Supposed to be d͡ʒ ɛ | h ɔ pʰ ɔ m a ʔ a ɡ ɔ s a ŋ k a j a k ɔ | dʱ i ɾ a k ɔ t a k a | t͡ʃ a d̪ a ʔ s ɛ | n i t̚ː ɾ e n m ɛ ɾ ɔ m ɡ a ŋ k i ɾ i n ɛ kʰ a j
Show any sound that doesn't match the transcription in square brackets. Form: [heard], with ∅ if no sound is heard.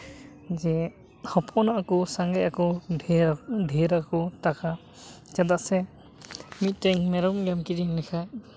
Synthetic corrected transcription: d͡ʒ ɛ | h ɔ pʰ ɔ [n] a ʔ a [k] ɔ s a ŋ [ɡ] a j a k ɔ | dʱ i ɾ a k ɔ t a k a | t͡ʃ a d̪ a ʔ s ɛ | [m] i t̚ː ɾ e [ŋ] m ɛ ɾ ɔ m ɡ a [m] k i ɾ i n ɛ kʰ a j